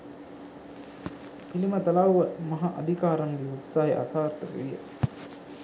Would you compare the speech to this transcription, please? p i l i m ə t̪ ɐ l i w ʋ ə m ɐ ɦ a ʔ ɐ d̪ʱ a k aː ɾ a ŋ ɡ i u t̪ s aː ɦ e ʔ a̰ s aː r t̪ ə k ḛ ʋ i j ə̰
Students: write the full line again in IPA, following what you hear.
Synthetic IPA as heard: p i l i m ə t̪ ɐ l a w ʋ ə m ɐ ɦ a ʔ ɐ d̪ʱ i k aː ɾ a ŋ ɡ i u t̪ s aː ɦ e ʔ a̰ s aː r t̪ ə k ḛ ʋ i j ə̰